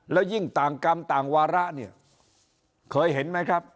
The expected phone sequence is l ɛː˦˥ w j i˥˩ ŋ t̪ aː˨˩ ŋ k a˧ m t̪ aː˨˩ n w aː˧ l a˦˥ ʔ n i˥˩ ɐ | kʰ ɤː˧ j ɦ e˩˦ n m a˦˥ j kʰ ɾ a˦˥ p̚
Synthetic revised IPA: l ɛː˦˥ w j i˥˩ ŋ t̪ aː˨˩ ŋ k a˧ m t̪ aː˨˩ ŋ w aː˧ ɾ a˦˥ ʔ n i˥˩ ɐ | kʰ ɤː˧ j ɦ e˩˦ n m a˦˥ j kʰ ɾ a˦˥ p̚